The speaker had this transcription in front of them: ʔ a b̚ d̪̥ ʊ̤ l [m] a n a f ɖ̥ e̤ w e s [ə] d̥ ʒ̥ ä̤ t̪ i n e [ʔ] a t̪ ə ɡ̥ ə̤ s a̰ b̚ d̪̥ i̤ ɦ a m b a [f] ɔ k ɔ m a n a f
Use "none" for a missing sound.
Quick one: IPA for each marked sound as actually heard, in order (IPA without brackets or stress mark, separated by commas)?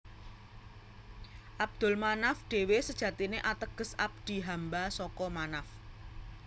m, ə, ʔ, s